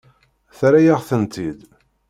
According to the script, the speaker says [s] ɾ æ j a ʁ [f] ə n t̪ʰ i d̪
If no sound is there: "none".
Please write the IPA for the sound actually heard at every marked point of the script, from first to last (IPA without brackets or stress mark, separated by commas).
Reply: θ, θ